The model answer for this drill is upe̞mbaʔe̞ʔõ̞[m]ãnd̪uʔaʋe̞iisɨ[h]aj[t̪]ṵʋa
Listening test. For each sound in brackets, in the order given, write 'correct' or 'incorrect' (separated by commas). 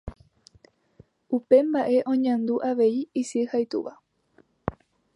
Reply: incorrect, correct, correct